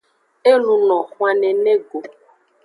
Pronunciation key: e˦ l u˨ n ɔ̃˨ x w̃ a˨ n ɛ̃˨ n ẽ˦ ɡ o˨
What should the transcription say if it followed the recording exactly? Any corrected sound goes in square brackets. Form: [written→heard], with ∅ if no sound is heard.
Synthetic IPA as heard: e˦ l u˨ n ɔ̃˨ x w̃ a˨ n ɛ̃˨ n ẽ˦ ɡ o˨